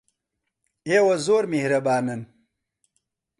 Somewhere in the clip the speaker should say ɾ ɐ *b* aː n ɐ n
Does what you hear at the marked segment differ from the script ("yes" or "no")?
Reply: no